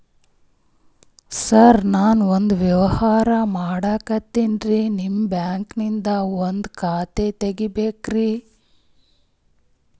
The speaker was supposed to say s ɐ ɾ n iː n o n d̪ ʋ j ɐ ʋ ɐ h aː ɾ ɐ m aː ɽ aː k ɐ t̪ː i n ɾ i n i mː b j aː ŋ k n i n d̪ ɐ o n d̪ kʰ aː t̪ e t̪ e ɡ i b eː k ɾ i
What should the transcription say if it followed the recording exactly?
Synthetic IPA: s ɐ ɾ n aː n o n d̪ ʋ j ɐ ʋ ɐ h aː ɾ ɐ m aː ɽ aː k ɐ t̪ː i n ɾ i n i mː b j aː ŋ k n i n d̪ ɐ o n d̪ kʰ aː t̪ e t̪ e ɡ i b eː k ɾ i

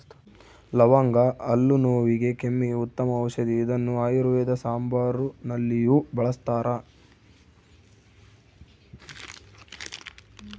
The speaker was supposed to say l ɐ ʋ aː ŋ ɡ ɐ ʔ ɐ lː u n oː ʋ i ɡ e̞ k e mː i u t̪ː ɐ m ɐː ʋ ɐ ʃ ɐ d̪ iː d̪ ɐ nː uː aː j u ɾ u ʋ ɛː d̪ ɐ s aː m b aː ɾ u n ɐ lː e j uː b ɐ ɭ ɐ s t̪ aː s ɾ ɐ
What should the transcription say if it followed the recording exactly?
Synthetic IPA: l ɐ ʋ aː ŋ ɡ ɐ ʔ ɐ lː u n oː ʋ i ɡ e̞ k e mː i u t̪ː ɐ m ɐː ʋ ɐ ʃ ɐ d̪ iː d̪ ɐ nː u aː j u ɾ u ʋ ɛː d̪ ɐ s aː m b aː ɾ u n ɐ lː i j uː b ɐ ɭ ɐ s t̪ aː ɾ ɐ

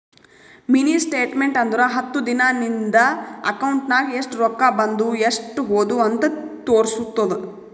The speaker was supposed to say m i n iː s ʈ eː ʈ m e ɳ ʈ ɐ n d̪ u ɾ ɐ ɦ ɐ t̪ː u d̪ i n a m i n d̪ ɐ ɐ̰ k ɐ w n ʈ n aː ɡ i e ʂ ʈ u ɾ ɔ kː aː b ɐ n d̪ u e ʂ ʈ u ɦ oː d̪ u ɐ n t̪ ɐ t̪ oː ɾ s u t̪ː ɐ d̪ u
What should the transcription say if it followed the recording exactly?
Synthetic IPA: m i n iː s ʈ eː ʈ m e ɳ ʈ ɐ n d̪ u ɾ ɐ ɦ ɐ t̪ː u d̪ i n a n i n d̪ ɐ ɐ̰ k ɐ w ɳ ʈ n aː ɡ i e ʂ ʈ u ɾ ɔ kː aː b ɐ n d̪ u e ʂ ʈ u ɦ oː d̪ u ɐ n t̪ ɐ t̪ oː ɾ s u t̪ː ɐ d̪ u

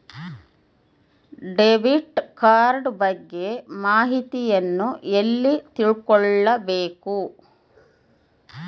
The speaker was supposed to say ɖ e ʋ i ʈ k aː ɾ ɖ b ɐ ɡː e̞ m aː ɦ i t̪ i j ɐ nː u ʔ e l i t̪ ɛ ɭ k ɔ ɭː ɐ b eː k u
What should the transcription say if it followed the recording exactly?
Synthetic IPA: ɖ e ʋ i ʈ k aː ɾ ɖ b ɐ ɡː e̞ m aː ɦ i t̪ i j ɐ nː u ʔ e lː i t̪ i ɭ k ɔ ɭː ɐ b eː k u

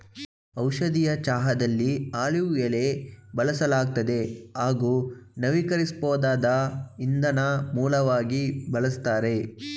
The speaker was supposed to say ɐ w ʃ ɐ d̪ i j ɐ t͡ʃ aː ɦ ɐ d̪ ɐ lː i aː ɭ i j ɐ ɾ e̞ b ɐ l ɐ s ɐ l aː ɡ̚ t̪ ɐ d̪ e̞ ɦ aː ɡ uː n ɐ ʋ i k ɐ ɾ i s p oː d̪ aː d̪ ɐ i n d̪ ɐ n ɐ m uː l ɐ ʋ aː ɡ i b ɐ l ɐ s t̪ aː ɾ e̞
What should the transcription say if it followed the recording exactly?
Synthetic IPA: ɐ w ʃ ɐ d̪ i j ɐ t͡ʃ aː ɦ ɐ d̪ ɐ lː i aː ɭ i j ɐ l e̞ b ɐ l ɐ s ɐ l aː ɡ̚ t̪ ɐ d̪ e̞ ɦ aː ɡ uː n ɐ ʋ i k ɐ ɾ i s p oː d̪ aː d̪ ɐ i n d̪ ɐ n ɐ m uː l ɐ ʋ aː ɡ i b ɐ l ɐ s t̪ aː ɾ e̞

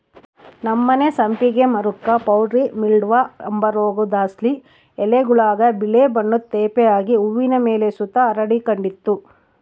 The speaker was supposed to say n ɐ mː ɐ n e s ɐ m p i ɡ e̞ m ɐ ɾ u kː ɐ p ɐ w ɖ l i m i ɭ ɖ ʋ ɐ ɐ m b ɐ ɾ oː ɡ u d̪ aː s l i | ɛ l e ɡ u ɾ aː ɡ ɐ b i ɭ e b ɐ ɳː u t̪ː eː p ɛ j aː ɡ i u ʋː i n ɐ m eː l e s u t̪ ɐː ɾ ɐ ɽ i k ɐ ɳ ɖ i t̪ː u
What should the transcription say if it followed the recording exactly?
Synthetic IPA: n ɐ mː ɐ n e s ɐ m p i ɡ e̞ m ɐ ɾ u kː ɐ p ɐ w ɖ ɾ i m i ɭ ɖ ʋ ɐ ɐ m b ɐ ɾ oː ɡ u d̪ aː s l i | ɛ l e ɡ u ɭ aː ɡ ɐ b i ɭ e b ɐ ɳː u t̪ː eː p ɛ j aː ɡ i u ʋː i n ɐ m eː l e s u t̪ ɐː ɾ ɐ ɽ i k ɐ ɳ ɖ i t̪ː u

